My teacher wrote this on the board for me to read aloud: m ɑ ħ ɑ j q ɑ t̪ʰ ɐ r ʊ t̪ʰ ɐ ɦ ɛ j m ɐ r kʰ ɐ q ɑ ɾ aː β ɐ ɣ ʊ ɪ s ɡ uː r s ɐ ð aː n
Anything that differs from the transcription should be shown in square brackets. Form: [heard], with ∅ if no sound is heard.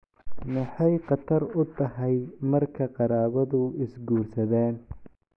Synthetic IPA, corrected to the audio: m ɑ ħ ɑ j q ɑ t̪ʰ ɐ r ʊ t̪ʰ ɐ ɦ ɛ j m ɐ r kʰ ɐ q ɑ ɾ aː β ɐ [ð] ʊ ɪ s ɡ uː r s ɐ ð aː n